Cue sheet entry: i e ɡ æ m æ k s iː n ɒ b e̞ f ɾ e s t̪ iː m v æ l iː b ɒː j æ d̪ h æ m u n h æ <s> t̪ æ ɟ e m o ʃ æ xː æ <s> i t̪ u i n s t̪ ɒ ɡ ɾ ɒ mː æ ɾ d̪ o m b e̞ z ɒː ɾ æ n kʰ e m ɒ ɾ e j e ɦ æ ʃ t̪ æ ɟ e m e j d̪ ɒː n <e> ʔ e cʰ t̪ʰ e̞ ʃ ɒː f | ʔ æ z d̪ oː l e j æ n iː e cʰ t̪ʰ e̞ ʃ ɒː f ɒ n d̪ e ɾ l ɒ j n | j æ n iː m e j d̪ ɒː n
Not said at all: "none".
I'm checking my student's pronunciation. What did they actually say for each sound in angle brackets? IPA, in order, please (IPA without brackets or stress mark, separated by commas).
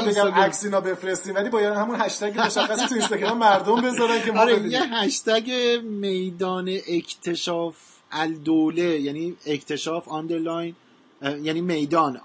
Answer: ʃ, s, e